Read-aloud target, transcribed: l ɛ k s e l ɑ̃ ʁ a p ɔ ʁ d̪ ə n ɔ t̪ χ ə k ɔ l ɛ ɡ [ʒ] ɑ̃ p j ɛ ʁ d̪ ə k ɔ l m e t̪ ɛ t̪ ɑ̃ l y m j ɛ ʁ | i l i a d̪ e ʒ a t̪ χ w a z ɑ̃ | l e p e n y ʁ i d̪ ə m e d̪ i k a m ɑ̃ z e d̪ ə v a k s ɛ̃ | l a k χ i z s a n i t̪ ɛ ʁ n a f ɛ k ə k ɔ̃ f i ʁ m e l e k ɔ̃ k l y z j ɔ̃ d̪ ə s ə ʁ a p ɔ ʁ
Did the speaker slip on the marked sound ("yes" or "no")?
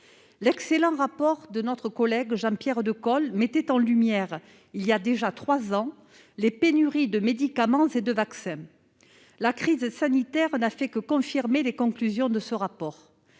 no